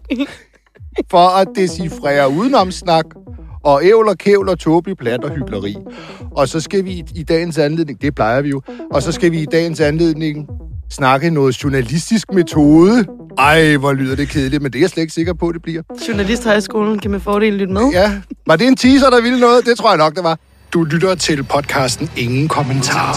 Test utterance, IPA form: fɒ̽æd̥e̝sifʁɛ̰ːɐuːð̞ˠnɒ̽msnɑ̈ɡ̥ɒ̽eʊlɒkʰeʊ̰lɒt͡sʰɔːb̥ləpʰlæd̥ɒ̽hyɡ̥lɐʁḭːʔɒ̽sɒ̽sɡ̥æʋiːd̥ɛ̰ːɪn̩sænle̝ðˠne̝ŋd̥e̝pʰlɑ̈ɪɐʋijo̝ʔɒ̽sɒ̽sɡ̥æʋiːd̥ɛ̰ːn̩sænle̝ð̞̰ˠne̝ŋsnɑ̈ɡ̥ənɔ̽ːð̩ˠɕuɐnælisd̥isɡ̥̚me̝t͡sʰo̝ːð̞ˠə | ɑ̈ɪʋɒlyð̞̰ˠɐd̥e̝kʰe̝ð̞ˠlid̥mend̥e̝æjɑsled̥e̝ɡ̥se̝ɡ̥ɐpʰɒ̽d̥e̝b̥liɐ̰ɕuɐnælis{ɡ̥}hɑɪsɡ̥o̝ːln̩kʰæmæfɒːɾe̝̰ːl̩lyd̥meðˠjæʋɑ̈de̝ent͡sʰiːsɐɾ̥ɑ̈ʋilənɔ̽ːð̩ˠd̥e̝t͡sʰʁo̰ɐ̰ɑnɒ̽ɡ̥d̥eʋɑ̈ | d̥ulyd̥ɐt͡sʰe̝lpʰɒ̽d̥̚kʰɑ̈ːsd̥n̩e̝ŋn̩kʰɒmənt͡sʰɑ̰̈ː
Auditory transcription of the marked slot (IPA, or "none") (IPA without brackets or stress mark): d̥